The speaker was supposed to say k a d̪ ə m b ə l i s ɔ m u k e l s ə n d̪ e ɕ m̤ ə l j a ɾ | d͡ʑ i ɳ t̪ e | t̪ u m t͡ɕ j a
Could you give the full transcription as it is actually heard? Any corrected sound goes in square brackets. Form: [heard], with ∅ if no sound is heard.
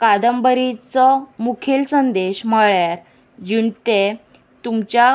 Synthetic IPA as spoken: k a d̪ ə m b ə [ɾ] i [t͡s] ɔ m u [kʰ] e l s ə n d̪ e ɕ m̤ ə [ɭ] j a ɾ | d͡ʑ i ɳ t̪ e | t̪ u m t͡ɕ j a